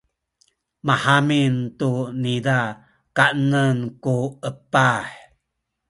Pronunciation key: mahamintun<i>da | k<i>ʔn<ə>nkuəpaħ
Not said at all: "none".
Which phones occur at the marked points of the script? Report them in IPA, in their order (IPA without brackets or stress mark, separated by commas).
i, a, ə